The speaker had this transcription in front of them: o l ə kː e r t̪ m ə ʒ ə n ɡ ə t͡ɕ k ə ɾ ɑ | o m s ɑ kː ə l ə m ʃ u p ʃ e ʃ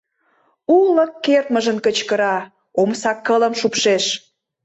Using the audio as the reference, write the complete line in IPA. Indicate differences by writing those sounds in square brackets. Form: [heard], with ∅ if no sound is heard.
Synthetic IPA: [u] l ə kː e r t̪ m ə ʒ ə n [k] ə t͡ɕ k ə ɾ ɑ | o m s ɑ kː ə l ə m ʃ u p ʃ e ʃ